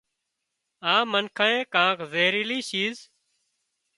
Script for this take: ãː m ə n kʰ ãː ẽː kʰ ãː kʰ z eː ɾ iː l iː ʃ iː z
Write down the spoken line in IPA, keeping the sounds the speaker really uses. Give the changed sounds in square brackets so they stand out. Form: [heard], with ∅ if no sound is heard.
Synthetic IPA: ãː m ə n kʰ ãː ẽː [k] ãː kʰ z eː ɾ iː l iː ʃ iː z